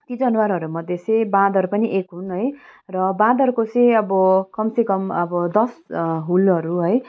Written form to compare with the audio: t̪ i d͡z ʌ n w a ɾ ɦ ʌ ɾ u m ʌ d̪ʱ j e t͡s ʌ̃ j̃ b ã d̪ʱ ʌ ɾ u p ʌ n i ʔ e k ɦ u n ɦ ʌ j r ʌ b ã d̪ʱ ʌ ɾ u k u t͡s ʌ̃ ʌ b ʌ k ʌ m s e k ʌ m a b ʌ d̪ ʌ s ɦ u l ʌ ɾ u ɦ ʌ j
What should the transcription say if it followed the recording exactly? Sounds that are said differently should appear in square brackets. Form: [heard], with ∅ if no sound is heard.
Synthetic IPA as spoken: t̪ i d͡z ʌ n w a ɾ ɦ ʌ ɾ u m ʌ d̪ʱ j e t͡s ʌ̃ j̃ b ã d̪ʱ ʌ ɾ u p ʌ n i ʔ e k ɦ u n ɦ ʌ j r ʌ b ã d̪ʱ ʌ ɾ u k [o] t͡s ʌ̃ ʌ b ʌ k ʌ m s e k ʌ m [ʌ] b ʌ d̪ ʌ s ɦ u l ʌ ɾ u ɦ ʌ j